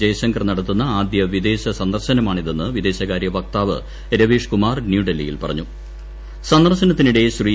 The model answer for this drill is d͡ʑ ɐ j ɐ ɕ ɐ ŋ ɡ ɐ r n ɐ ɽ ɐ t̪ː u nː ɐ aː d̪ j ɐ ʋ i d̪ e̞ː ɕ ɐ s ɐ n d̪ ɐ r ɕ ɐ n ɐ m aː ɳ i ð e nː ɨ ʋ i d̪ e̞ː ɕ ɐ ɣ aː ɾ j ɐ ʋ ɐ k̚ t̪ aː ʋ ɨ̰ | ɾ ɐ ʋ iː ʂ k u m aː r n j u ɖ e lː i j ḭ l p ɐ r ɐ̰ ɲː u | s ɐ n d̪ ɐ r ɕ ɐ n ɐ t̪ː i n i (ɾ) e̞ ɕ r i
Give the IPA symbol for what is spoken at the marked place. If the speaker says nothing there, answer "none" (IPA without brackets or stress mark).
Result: ɽ